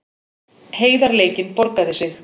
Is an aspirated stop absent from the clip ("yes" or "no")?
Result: yes